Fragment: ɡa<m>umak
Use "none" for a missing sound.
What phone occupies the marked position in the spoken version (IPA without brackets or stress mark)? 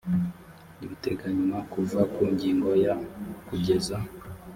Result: ɲ